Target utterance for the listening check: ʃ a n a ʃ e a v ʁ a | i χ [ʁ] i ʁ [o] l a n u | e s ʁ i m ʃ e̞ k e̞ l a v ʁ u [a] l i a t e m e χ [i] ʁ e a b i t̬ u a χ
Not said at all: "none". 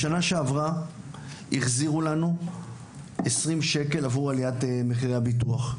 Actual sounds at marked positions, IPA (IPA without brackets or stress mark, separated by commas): z, u, a, i